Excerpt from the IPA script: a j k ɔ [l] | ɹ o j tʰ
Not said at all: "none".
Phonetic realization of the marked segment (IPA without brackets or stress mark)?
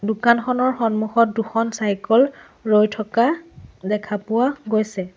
l